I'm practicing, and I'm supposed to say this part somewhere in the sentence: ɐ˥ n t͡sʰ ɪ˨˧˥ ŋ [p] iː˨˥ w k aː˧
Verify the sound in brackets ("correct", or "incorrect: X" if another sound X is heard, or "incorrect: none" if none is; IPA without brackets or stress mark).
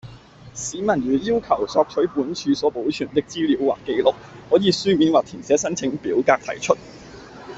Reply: correct